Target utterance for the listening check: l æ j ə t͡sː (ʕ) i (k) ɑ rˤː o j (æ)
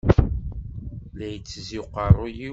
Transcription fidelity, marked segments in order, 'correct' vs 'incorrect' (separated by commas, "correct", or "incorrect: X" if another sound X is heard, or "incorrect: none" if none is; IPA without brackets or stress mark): incorrect: z, incorrect: q, incorrect: i